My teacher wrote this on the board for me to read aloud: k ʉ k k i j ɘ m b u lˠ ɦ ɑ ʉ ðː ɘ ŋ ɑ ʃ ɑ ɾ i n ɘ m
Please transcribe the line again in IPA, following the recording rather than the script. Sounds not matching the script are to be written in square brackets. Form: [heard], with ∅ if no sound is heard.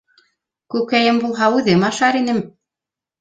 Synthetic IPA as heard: k ʉ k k [æ] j ɘ m b u lˠ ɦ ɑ ʉ [ð] ɘ [m] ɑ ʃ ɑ ɾ i n ɘ m